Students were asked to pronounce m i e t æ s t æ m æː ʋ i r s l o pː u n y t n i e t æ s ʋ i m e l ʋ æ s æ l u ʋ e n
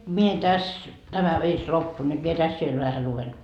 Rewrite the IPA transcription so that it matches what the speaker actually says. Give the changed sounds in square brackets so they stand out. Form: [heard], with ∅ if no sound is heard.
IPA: m i e t æ s t æ m [æ] ʋ i r s l o pː u n y t [m] i e t æ s ʋ i [∅] e l ʋ æ [h] æ l u ʋ e n